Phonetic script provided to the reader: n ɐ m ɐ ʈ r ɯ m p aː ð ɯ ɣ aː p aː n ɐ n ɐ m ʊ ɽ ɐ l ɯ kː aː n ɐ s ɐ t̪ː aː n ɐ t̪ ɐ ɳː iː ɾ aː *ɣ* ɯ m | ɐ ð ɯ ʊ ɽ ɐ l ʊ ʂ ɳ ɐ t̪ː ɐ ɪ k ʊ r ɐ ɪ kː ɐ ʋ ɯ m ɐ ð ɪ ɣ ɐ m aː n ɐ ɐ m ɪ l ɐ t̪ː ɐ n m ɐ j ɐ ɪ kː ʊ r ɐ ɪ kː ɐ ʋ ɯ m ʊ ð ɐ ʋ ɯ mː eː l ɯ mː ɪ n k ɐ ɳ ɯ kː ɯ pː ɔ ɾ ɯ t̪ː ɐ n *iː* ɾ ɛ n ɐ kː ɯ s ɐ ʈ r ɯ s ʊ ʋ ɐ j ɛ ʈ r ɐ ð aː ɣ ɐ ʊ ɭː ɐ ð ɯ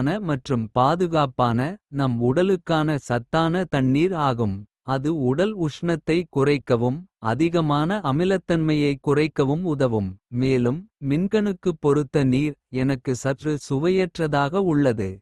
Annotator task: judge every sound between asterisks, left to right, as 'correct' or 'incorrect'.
correct, correct

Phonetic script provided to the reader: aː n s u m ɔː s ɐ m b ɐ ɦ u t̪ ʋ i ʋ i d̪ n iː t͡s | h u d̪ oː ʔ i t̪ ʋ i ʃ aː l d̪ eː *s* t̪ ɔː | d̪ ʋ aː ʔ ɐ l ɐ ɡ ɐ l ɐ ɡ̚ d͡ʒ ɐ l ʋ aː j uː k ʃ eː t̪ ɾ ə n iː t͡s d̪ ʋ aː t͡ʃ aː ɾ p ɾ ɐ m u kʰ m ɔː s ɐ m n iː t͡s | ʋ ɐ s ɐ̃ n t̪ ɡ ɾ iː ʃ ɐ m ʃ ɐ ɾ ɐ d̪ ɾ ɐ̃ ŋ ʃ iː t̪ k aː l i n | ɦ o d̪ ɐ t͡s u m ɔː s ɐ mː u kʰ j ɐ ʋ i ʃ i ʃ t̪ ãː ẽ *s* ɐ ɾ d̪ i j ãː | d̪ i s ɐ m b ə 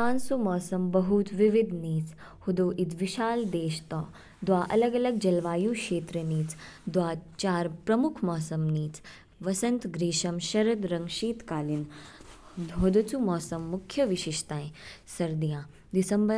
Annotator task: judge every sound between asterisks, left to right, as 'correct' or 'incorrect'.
incorrect, correct

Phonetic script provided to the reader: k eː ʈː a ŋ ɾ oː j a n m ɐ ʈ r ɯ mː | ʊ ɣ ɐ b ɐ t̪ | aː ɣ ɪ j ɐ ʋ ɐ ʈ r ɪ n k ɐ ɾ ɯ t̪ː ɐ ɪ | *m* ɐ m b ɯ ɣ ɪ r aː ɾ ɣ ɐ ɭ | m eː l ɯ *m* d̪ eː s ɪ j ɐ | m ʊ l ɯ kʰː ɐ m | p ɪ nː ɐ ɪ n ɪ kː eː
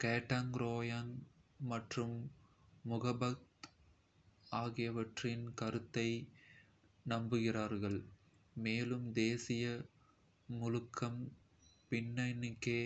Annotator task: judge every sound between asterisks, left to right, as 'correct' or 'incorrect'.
incorrect, correct

